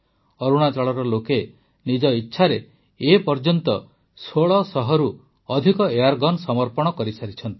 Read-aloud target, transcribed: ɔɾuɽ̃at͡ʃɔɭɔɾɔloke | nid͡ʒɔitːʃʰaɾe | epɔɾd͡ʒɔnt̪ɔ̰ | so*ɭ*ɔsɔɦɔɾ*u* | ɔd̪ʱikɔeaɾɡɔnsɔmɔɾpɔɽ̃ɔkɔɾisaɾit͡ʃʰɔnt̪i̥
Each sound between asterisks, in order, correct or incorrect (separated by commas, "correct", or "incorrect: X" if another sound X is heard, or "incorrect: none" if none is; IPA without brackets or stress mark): correct, correct